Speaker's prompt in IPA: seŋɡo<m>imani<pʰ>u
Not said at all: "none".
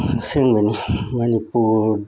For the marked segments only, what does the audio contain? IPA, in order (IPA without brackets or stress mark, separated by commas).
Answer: n, p